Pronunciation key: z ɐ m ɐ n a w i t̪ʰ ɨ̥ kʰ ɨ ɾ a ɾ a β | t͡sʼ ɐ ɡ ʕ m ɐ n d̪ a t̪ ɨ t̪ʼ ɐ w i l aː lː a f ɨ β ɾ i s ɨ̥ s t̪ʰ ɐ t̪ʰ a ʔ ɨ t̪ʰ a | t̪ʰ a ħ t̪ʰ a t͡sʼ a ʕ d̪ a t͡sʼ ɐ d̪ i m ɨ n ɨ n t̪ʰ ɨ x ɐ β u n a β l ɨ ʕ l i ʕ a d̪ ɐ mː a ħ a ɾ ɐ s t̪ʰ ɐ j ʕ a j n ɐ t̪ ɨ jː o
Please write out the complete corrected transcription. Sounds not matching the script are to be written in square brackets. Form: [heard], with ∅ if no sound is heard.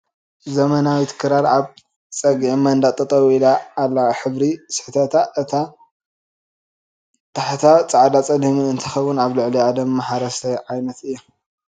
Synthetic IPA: z ɐ m ɐ n a w i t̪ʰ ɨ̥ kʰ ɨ ɾ a ɾ a β | t͡sʼ ɐ ɡ ʕ m ɐ n d̪ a [t̪ʼ] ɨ t̪ʼ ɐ w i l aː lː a [ħ] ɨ β ɾ i s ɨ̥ [ħ] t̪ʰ ɐ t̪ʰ a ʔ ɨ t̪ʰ a | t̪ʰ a ħ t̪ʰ a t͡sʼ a ʕ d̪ a t͡sʼ ɐ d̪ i m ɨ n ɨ n t̪ʰ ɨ x ɐ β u n a β l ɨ ʕ l i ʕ a d̪ ɐ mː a ħ a ɾ ɐ s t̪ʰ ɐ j ʕ a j n ɐ t̪ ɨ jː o